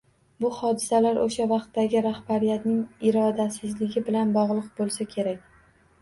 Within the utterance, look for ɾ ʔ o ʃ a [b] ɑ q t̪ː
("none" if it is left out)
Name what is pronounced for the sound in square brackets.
v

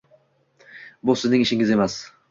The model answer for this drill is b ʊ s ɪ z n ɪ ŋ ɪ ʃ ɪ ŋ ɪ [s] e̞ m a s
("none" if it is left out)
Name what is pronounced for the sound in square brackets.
z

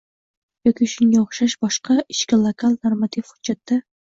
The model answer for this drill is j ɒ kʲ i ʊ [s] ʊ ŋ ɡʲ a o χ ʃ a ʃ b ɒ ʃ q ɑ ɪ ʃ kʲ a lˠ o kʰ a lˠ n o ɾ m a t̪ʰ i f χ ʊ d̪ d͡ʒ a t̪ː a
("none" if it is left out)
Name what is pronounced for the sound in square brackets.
ʃ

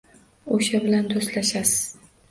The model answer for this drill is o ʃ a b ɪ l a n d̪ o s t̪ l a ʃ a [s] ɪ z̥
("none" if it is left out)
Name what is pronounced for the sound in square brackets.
s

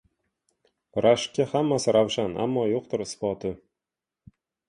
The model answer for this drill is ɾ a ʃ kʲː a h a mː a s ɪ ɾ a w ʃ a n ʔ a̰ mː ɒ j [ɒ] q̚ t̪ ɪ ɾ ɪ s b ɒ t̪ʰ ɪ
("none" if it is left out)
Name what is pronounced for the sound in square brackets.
o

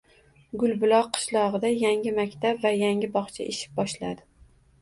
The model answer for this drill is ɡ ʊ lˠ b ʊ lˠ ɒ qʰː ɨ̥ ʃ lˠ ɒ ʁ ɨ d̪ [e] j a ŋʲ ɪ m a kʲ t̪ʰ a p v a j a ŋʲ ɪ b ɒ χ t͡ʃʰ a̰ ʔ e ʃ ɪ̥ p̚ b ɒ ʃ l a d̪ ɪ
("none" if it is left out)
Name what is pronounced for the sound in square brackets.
a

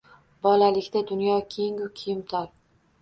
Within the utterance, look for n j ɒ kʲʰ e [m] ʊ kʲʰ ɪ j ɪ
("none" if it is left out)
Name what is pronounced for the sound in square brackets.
ŋ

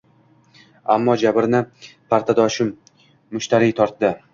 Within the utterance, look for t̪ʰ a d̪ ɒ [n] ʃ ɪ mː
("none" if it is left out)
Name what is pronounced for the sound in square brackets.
none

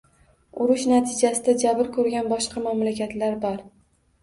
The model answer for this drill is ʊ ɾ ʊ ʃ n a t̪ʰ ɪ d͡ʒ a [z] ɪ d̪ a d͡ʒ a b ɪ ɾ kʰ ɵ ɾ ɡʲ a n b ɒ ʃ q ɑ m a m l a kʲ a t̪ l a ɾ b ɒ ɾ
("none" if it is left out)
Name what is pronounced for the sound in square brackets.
s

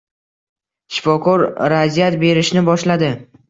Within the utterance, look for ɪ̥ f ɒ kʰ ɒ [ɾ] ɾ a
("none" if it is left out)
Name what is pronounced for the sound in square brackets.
ɾ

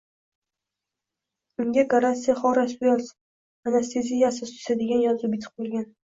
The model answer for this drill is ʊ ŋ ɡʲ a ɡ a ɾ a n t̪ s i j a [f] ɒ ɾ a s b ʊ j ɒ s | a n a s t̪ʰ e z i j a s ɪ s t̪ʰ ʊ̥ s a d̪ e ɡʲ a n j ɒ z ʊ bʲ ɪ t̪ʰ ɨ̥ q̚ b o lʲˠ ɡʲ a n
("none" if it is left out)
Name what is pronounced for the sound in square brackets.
χ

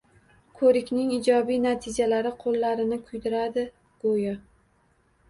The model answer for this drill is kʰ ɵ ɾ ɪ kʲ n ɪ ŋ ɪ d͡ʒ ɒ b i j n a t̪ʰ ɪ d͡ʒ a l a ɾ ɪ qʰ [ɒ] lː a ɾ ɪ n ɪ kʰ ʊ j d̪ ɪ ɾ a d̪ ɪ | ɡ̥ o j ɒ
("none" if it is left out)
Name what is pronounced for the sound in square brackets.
o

